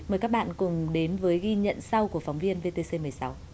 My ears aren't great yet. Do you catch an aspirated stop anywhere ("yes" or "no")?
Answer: no